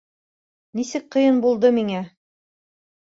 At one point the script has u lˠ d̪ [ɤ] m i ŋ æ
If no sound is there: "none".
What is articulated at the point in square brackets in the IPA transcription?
ɤ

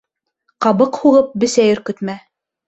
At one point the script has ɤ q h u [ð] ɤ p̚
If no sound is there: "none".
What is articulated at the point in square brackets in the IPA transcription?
ʁ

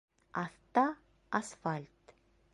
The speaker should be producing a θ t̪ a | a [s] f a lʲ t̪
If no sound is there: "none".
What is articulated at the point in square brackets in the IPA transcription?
s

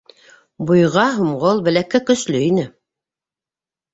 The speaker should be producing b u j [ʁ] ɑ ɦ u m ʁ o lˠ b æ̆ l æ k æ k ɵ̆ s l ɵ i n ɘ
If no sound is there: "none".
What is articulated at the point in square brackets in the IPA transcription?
ʁ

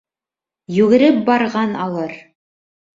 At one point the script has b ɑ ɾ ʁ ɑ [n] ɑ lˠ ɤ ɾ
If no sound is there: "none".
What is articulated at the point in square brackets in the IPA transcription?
n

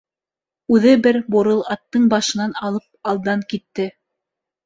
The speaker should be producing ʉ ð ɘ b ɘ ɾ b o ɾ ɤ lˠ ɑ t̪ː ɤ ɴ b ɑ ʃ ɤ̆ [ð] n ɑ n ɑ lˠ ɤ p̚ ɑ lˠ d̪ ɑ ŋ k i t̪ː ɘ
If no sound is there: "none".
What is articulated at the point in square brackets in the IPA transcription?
none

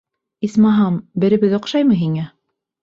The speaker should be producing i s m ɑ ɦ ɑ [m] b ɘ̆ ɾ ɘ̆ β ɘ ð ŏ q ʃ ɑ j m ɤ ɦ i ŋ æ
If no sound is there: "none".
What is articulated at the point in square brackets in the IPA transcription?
m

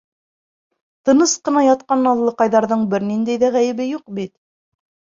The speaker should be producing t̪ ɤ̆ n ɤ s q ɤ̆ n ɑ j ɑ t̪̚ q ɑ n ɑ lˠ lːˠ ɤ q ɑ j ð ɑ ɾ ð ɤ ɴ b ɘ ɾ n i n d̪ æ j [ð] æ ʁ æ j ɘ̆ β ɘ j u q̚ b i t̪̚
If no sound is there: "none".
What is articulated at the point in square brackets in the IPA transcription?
ð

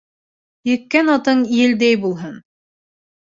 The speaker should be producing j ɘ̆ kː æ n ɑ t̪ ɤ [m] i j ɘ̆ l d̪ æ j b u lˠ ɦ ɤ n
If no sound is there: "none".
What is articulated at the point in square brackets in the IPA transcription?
ɴ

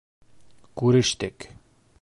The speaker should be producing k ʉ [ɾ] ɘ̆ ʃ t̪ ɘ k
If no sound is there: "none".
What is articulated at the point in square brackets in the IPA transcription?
ɾ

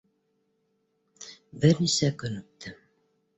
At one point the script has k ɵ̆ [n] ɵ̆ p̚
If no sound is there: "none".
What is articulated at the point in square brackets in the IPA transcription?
n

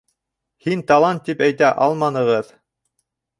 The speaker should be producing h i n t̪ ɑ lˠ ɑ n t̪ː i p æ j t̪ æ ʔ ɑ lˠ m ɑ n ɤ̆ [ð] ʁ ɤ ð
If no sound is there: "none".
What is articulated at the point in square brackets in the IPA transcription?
none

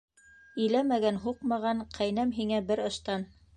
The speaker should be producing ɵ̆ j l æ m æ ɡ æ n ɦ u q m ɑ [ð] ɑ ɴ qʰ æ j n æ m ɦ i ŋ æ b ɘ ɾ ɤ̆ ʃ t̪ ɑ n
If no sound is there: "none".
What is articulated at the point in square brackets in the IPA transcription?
ʁ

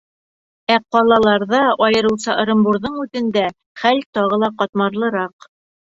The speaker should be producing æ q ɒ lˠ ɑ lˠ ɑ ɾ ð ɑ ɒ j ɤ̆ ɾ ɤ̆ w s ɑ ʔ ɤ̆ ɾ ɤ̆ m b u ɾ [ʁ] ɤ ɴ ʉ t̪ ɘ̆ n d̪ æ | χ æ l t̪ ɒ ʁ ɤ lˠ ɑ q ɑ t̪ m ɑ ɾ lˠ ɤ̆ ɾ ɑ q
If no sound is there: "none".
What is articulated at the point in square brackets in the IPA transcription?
ð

